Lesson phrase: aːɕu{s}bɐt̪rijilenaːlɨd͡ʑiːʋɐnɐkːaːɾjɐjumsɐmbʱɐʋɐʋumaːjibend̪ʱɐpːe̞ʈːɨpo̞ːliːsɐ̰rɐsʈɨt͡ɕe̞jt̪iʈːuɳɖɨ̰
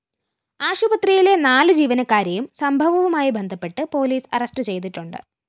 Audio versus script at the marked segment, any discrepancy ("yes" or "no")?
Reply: yes